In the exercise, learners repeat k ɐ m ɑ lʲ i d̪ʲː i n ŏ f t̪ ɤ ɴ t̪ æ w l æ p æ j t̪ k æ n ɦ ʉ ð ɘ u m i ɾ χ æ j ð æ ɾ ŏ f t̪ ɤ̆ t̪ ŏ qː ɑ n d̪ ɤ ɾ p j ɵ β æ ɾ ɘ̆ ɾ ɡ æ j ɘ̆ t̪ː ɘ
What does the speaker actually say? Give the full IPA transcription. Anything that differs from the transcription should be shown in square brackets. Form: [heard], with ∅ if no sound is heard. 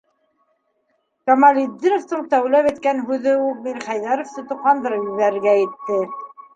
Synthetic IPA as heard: k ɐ m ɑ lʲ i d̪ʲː i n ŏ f t̪ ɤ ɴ t̪ æ w l æ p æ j t̪ k æ n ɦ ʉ ð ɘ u m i ɾ χ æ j ð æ ɾ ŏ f t̪ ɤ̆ t̪ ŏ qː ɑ n d̪ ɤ ɾ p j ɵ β æ ɾ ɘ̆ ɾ ɡ æ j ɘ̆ t̪ː ɘ